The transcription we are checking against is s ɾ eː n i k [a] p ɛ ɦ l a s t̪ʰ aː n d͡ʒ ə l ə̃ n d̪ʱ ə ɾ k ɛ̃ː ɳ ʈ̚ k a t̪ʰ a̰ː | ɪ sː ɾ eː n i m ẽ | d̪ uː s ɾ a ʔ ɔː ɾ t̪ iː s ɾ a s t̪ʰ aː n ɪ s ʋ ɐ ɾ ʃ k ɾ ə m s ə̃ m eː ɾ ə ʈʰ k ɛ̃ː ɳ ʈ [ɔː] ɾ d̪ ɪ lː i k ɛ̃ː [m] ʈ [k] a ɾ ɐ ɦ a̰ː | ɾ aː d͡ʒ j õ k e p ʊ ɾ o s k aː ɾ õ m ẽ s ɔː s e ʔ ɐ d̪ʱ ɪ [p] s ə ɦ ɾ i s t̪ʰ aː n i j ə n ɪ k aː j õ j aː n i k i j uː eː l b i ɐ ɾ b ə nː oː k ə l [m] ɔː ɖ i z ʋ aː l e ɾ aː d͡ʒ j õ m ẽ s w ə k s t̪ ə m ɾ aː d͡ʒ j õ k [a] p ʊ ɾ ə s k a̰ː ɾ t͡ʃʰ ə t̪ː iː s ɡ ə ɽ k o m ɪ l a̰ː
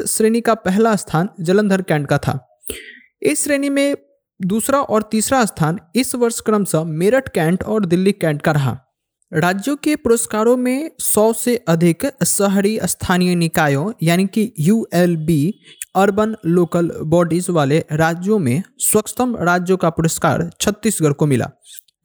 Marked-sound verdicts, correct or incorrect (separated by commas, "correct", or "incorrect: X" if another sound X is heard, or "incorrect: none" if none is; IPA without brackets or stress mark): correct, correct, incorrect: ɳ, correct, incorrect: k, incorrect: b, correct